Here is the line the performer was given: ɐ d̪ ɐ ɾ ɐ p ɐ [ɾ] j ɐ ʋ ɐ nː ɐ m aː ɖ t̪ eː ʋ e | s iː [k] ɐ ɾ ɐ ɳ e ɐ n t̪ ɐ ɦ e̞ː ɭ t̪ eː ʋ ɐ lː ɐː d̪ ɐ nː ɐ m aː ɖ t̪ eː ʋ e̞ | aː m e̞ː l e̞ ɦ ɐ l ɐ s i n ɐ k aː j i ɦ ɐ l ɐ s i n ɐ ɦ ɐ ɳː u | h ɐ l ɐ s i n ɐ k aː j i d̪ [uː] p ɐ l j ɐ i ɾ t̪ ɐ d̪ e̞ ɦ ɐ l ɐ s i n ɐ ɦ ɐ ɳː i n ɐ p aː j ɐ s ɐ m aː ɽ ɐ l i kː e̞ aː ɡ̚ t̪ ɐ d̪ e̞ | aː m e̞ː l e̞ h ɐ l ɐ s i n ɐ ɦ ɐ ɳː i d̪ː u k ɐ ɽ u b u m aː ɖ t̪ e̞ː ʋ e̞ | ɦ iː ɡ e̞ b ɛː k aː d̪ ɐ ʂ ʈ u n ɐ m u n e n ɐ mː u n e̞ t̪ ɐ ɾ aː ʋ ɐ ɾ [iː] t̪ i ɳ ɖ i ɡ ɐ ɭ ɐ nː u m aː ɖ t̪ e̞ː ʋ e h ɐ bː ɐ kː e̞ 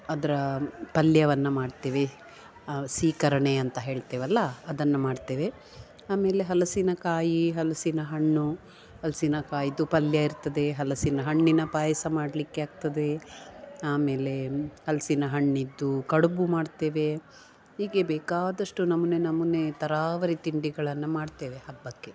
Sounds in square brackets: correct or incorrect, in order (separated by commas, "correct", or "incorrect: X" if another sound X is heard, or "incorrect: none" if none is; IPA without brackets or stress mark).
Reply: incorrect: l, correct, incorrect: u, incorrect: i